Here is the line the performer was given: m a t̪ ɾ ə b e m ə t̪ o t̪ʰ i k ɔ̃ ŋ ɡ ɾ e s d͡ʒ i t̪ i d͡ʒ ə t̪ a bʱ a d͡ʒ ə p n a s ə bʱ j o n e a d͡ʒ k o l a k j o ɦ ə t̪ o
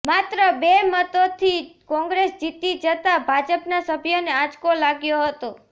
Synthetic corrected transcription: m a t̪ ɾ ə b e m ə t̪ o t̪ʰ i k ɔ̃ ŋ ɡ ɾ e s d͡ʒ i t̪ i d͡ʒ ə t̪ a bʱ a d͡ʒ ə p n a s ə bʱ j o n e a d͡ʒ k o l a ɡ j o ɦ ə t̪ o